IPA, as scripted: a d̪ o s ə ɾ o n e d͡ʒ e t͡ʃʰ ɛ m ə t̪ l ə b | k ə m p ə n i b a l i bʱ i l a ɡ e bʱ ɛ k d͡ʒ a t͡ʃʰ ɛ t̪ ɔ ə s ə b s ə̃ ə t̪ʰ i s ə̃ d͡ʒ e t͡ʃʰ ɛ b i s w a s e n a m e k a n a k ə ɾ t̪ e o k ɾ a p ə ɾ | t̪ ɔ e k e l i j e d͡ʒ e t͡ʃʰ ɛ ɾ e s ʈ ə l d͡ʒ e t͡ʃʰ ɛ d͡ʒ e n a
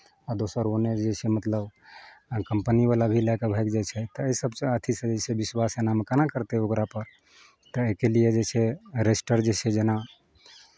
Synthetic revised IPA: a d̪ o s ə ɾ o n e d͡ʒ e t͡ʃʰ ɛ m ə t̪ l ə b | k ə m p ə n i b a l a bʱ i l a k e bʱ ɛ k d͡ʒ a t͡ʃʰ ɛ t̪ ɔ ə s ə b s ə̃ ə t̪ʰ i s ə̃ d͡ʒ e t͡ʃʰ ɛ b i s w a s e n a m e k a n a k ə ɾ t̪ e o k ɾ a p ə ɾ | t̪ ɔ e k e l i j e d͡ʒ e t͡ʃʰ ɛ ɾ e s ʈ ə ɾ d͡ʒ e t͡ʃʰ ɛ d͡ʒ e n a